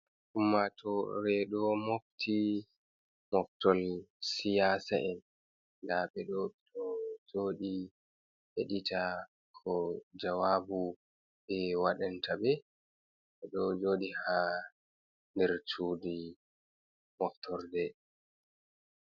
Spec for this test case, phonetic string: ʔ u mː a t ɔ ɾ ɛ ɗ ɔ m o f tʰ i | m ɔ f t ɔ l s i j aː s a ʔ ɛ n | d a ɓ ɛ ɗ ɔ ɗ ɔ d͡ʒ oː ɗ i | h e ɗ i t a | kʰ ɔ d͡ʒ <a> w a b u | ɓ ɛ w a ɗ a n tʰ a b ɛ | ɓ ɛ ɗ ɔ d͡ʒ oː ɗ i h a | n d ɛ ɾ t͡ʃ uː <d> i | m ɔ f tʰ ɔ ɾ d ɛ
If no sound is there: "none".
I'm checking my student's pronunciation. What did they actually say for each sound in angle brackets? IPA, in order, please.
a, d

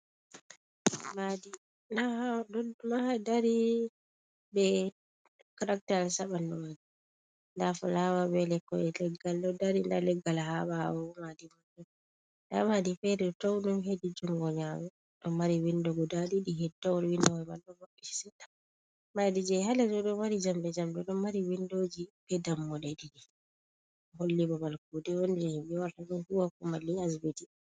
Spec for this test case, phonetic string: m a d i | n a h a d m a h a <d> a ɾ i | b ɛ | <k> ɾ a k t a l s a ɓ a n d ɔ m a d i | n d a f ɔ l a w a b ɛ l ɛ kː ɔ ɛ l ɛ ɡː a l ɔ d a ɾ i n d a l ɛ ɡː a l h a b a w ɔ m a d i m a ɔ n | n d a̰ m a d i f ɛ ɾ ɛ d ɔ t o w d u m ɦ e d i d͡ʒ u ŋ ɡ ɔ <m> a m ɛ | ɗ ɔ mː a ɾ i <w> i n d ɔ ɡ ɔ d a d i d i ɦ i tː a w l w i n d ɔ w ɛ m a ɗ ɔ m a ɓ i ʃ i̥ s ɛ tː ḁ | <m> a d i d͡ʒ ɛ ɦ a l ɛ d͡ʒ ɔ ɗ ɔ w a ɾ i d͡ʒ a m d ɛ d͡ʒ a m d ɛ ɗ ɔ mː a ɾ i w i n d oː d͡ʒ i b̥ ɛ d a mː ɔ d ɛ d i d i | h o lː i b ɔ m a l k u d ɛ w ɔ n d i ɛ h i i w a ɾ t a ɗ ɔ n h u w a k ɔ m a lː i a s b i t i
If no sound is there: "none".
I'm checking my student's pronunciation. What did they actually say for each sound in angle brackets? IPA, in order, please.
d, k, ɲ, w, m

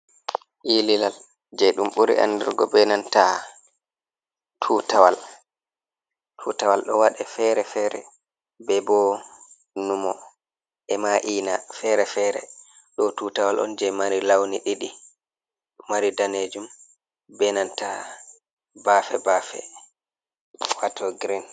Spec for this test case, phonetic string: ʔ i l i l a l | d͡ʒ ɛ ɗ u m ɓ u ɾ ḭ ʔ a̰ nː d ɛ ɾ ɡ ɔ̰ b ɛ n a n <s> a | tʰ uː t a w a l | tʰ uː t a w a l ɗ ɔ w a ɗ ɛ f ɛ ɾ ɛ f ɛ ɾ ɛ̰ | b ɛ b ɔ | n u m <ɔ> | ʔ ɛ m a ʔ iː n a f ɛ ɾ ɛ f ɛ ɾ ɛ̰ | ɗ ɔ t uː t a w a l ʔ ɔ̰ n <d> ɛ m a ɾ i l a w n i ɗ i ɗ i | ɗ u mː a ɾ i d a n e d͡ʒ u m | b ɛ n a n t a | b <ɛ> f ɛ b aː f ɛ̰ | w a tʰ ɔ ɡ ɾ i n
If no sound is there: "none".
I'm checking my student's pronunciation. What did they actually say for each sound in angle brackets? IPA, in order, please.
t, ɔ, d͡ʒ, a

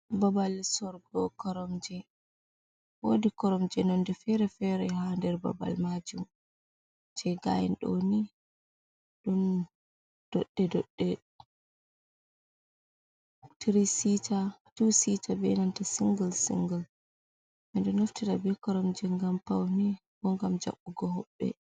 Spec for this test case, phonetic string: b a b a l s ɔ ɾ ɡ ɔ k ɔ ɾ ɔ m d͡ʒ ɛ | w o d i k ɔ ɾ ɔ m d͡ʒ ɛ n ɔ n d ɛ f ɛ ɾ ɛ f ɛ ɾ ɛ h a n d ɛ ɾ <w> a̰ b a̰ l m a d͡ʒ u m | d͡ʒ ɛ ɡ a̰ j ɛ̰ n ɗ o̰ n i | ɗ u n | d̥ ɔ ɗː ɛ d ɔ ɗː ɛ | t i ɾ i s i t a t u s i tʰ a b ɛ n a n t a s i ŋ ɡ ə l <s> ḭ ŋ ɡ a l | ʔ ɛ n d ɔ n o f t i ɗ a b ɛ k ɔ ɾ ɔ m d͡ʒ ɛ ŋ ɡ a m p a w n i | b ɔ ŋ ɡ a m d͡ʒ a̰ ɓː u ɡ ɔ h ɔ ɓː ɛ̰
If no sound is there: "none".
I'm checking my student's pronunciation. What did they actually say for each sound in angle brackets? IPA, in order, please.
b, s

